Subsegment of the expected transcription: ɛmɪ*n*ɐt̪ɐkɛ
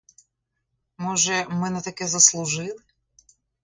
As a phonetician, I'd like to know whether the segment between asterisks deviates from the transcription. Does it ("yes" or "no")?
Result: no